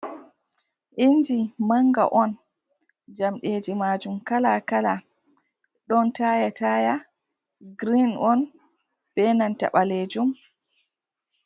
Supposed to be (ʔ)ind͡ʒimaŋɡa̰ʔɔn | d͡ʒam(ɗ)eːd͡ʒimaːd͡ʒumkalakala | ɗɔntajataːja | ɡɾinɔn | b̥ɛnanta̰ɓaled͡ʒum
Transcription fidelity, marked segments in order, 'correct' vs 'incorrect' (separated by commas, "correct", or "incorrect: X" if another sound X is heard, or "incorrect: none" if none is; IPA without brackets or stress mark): correct, correct